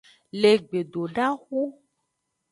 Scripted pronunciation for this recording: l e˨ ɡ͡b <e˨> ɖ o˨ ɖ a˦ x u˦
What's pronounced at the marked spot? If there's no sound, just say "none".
e˨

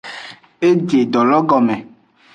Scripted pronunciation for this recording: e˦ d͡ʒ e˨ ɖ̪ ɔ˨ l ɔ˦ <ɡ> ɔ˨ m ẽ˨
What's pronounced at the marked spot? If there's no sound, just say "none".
ɡ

